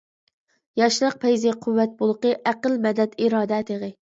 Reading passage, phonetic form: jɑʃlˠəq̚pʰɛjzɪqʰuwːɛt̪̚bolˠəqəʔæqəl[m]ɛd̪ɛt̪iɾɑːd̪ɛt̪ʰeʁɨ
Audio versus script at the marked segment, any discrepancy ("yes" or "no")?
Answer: no